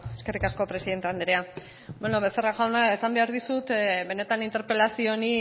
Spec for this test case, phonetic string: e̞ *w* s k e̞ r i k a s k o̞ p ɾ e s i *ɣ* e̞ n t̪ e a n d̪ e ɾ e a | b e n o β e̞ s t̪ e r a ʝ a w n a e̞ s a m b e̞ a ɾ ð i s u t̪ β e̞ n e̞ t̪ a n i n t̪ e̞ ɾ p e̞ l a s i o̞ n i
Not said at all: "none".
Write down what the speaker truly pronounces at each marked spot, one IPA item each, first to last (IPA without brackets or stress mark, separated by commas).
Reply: none, ð